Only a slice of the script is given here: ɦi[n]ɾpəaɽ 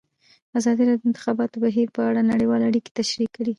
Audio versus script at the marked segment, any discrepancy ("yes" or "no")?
yes